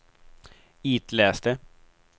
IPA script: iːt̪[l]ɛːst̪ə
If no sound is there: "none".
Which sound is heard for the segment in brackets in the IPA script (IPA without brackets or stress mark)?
l